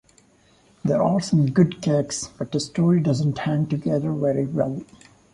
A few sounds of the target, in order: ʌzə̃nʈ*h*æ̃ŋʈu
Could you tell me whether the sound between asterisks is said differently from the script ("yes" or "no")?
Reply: no